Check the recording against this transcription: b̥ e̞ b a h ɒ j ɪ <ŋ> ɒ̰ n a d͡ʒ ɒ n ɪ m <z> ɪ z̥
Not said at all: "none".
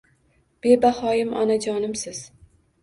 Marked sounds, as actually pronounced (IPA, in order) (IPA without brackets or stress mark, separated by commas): m, s